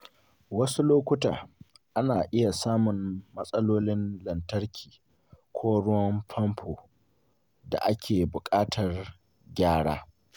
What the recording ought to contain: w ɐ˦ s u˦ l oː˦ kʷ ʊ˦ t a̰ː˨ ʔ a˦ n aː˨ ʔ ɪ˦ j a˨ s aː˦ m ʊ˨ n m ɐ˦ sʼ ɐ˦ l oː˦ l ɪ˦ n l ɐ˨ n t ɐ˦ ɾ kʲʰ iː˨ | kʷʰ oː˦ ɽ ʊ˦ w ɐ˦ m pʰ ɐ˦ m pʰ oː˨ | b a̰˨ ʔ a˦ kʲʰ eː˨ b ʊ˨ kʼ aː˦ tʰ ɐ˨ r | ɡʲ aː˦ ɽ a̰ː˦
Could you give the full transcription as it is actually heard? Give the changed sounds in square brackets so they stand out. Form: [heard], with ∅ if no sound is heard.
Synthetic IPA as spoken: w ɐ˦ s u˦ l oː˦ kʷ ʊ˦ t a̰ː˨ ʔ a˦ n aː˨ ʔ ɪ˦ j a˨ s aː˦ m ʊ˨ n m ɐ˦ sʼ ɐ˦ l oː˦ l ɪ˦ n l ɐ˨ n t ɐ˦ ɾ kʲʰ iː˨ | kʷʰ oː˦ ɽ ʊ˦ w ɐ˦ m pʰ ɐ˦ m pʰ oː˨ | [d] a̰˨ ʔ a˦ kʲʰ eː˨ b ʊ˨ kʼ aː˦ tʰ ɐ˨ r | ɡʲ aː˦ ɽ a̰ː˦